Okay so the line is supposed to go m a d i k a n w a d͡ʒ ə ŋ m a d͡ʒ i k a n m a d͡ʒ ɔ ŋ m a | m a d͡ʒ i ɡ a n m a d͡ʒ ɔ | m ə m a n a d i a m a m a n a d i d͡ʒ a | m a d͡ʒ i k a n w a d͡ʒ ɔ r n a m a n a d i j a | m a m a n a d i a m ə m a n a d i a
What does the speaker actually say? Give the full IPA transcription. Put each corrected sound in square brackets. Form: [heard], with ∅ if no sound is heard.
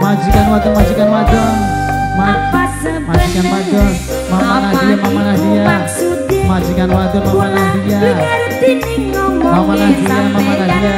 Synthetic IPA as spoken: m a [d͡ʒ] i k a n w a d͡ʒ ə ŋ m a d͡ʒ i k a n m a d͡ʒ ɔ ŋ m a | m a d͡ʒ i [k] a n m a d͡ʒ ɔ | m [a] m a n a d i a m a m a n a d i [∅] a | m a d͡ʒ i k a n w a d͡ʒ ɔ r [m] a m a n a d i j a | m a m a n a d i a m [a] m a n a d i a

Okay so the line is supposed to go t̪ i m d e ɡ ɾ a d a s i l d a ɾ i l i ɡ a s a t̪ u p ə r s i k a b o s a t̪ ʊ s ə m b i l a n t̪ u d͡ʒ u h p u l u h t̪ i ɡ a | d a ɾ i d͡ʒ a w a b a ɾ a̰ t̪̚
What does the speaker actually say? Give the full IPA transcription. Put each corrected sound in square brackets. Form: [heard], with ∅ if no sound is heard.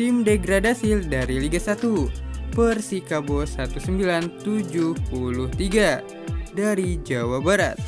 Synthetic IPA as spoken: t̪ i m d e ɡ ɾ a d a s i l d a ɾ i l i ɡ a s a t̪ u p ə r s i k a b o s a t̪ [u] s ə m b i l a n t̪ u d͡ʒ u h p u l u h t̪ i ɡ a | d a ɾ i d͡ʒ a w a b a ɾ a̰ t̪̚

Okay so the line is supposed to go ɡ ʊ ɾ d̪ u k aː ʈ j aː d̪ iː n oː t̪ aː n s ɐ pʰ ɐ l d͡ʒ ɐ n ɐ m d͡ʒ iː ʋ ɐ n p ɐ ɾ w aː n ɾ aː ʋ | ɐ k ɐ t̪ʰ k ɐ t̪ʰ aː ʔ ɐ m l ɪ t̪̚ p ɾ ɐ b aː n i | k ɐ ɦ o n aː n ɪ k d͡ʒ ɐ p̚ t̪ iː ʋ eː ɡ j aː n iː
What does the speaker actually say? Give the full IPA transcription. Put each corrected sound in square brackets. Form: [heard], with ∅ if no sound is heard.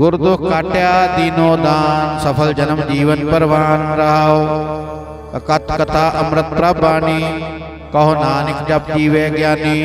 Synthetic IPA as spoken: ɡ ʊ ɾ d̪ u k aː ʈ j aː d̪ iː n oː [d̪] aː n s ɐ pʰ ɐ l d͡ʒ ɐ n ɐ m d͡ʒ iː ʋ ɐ n p ɐ ɾ [ʋ] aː n ɾ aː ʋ | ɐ k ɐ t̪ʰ k ɐ t̪ʰ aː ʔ ɐ m [ɾ] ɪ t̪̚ p ɾ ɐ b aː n i | k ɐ ɦ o n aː n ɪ k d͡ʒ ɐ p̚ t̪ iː ʋ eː ɡ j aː n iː

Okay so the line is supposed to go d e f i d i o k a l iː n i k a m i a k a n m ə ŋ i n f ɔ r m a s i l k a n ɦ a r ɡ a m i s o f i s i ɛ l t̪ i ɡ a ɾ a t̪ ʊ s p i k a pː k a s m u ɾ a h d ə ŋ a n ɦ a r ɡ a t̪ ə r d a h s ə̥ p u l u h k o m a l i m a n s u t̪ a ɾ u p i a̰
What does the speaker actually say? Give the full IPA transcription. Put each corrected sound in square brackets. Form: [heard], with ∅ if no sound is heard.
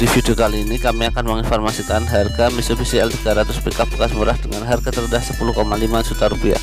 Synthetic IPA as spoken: d [i] f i d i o k a l iː n i k a m i a k a n m ə ŋ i n f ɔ r m a s i [∅] k a n ɦ a r ɡ a m i s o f i s i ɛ l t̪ i ɡ a ɾ a t̪ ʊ s p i k a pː k a s m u ɾ a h d ə ŋ a n ɦ a r ɡ a t̪ ə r d a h s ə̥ p u l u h k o m a l i m a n s u t̪ a ɾ u p i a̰

